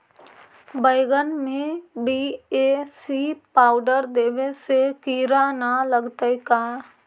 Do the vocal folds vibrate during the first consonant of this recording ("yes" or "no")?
yes